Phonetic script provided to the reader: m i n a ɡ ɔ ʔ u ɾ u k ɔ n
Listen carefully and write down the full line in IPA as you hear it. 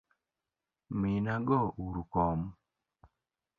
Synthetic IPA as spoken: m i n a ɡ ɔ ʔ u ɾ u k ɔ m